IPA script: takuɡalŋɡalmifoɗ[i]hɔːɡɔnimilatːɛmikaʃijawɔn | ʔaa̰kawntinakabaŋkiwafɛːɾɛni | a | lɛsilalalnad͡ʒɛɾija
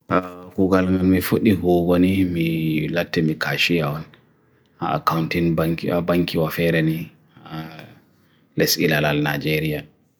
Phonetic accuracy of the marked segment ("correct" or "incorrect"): correct